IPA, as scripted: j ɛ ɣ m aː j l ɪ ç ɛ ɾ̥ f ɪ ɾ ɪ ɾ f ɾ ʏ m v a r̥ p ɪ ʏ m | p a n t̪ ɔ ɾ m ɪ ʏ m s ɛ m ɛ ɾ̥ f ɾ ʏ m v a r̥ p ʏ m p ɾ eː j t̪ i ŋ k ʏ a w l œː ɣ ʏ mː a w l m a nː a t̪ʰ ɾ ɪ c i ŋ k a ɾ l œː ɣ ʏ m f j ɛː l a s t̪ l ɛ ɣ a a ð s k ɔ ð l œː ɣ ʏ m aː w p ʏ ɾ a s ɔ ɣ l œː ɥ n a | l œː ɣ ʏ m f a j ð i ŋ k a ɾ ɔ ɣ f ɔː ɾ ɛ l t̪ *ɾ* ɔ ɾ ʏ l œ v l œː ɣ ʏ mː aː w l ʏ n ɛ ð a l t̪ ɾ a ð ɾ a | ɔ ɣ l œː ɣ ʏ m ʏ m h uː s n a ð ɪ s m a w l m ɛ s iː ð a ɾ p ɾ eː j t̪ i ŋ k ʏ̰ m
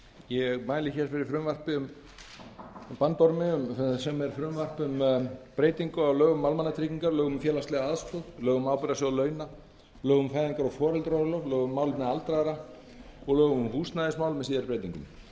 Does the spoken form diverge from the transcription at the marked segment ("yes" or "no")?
no